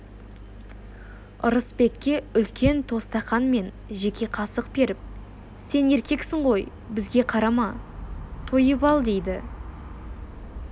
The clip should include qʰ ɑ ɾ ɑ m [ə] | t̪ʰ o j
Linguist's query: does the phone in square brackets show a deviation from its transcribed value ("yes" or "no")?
yes